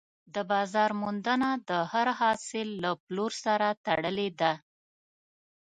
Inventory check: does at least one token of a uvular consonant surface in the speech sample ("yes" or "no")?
no